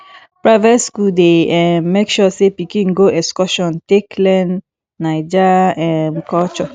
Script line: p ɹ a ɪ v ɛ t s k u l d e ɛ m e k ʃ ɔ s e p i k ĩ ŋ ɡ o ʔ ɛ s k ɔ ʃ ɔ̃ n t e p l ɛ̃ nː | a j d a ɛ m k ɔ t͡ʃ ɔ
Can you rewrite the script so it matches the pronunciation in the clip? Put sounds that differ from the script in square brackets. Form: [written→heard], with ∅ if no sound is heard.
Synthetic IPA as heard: p ɹ a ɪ v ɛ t s k u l d e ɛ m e k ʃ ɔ s e p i k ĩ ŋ ɡ o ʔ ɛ s k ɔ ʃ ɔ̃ n t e [p→k] l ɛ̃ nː | a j [d→d͡ʒ] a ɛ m k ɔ t͡ʃ ɔ